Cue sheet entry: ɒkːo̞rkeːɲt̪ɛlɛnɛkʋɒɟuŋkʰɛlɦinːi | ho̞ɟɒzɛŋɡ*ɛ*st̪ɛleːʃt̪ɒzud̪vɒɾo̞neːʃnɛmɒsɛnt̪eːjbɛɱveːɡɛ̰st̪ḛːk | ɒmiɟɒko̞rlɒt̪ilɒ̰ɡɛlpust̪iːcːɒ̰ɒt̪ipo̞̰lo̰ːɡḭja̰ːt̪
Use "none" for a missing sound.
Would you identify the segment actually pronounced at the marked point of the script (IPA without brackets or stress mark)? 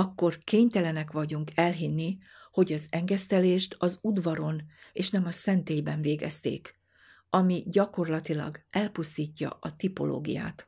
ɛ